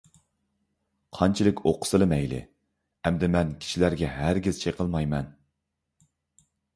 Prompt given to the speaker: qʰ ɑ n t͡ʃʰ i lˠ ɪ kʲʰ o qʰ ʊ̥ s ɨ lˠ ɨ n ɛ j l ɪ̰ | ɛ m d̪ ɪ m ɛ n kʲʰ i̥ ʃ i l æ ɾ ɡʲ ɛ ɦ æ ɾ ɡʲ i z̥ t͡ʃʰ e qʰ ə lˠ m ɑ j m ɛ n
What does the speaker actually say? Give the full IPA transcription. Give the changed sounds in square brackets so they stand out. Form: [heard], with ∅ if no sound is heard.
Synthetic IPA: qʰ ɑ n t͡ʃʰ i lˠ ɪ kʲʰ o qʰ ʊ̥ s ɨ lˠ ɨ [m] ɛ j l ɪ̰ | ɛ m d̪ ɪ m ɛ n kʲʰ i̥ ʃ i l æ ɾ ɡʲ ɛ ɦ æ ɾ ɡʲ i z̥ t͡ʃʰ e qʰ ə lˠ m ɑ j m ɛ n